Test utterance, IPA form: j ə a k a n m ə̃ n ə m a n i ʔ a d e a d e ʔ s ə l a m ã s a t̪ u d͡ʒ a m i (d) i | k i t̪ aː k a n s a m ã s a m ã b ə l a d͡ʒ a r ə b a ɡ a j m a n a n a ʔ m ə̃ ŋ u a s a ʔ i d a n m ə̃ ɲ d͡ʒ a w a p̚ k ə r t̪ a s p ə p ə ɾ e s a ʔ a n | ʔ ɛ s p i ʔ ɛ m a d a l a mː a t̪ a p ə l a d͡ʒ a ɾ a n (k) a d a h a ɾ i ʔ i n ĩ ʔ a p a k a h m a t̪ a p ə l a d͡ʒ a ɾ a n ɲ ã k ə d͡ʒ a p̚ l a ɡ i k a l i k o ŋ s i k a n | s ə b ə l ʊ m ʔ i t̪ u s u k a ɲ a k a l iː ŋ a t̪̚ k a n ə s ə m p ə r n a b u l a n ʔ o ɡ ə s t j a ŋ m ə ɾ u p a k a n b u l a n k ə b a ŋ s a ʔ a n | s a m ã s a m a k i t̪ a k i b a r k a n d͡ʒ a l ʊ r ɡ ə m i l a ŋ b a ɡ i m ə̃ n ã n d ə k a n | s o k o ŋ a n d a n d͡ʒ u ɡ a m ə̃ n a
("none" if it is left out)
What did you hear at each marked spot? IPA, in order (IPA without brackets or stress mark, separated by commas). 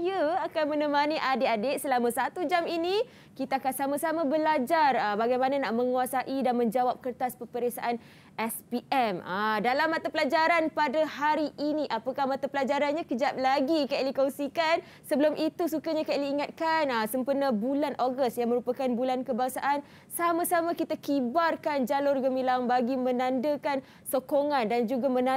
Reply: n, p